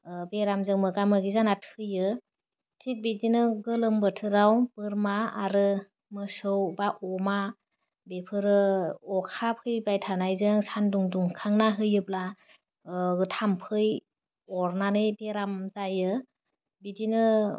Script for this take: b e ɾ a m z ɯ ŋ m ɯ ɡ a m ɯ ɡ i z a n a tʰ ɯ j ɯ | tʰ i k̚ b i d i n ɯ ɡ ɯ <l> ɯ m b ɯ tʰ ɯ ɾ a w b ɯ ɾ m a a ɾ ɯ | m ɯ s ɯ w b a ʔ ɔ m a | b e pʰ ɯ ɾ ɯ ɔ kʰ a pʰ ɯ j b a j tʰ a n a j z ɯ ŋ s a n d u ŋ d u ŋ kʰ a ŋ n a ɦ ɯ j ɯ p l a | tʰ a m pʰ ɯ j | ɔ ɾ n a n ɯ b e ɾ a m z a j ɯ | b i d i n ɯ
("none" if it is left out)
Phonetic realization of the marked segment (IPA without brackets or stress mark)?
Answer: l